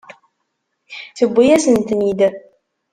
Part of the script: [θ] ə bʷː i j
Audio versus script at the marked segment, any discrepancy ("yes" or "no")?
no